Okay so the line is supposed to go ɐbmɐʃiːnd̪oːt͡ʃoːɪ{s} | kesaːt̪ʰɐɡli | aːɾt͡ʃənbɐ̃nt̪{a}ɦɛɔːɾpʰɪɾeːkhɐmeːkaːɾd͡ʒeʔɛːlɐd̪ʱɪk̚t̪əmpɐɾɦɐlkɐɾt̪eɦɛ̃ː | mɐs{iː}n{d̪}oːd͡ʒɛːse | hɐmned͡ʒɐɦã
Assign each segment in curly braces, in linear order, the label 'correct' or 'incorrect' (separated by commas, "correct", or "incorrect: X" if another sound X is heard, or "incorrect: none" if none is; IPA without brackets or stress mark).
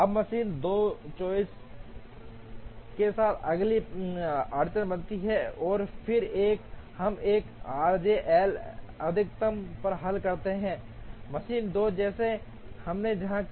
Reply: correct, incorrect: i, correct, correct